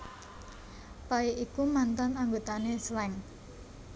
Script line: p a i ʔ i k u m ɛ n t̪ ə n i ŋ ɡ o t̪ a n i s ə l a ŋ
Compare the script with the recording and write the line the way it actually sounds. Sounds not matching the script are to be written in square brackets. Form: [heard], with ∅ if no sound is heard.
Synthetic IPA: p a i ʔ i k u m [a] n t̪ [a] n [a] ŋ ɡ o t̪ a n [e] s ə l [ɛ] ŋ